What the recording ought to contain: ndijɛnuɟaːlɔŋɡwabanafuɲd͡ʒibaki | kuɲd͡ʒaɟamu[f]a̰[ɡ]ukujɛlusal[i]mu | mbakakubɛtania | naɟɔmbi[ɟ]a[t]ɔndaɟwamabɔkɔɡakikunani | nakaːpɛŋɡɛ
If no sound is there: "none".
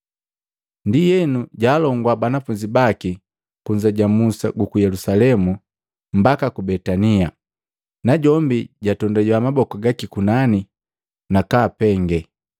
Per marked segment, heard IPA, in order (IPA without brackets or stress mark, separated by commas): s, ɡ, ɛ, ɟ, t